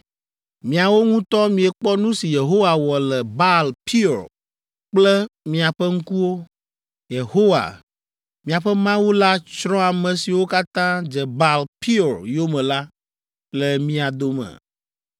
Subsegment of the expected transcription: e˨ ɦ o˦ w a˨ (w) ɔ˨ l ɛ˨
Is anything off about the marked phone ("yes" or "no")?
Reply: no